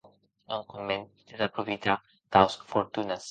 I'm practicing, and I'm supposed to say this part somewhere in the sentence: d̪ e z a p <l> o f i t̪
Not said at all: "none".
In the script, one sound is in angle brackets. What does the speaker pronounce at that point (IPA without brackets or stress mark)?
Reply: ɾ